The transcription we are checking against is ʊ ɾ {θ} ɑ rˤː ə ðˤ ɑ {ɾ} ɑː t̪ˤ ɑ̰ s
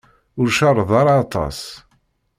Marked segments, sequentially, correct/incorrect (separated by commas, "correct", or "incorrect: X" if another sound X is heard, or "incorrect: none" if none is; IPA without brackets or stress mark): incorrect: ʃ, correct